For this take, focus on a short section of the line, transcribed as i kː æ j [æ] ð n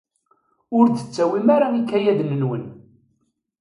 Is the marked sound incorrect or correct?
correct